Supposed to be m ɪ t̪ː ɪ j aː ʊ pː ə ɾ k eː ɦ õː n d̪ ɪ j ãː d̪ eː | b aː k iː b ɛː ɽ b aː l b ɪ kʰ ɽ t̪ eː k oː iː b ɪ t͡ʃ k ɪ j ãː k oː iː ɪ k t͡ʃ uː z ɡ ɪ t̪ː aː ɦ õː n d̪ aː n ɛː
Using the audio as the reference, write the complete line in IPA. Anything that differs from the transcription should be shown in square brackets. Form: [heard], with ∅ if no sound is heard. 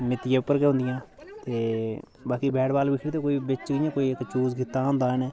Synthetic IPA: m ɪ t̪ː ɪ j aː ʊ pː ə ɾ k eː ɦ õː n d̪ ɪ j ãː [t̪] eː | b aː k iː b ɛː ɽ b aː l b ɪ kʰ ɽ t̪ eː k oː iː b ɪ t͡ʃ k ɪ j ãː k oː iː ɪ k t͡ʃ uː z ɡ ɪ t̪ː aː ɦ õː n d̪ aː n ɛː